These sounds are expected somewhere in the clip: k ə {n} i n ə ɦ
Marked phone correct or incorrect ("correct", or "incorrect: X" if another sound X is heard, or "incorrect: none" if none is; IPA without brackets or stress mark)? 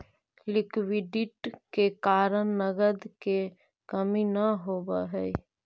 incorrect: m